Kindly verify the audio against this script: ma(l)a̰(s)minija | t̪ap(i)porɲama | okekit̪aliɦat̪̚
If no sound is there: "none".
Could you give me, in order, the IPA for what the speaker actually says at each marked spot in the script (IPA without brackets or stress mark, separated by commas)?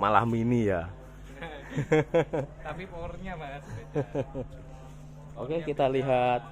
l, h, i